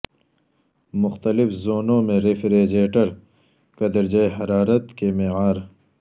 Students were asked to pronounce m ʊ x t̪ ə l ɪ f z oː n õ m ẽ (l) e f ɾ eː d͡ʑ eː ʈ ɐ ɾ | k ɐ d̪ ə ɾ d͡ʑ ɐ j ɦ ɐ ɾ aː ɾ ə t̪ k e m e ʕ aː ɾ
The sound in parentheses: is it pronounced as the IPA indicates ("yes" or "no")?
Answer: no